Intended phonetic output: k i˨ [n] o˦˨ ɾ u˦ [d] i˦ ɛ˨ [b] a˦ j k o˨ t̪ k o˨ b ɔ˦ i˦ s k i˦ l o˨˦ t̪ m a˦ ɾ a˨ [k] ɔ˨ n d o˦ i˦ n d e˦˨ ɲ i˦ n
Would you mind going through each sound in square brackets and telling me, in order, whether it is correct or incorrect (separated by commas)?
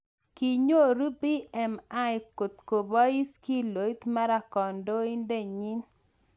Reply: incorrect, incorrect, incorrect, correct